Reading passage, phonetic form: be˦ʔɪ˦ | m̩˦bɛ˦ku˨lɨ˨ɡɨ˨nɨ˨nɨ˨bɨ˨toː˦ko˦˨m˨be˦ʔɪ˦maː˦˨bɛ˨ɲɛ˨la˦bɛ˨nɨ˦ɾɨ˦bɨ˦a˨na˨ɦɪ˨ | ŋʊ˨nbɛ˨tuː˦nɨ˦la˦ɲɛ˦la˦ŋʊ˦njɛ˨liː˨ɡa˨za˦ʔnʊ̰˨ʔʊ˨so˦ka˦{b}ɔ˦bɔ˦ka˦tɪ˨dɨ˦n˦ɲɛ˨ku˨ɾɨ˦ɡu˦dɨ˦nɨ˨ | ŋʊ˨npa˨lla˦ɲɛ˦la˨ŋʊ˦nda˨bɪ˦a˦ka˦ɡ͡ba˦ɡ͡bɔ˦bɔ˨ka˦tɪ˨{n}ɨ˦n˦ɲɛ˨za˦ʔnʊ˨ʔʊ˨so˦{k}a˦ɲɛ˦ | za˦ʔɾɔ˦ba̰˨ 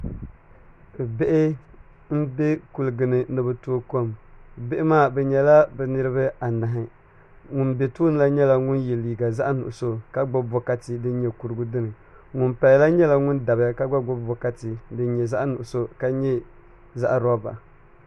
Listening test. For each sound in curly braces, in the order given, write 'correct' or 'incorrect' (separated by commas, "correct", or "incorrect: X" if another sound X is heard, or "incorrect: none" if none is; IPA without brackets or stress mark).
incorrect: ɡ͡b, incorrect: d, correct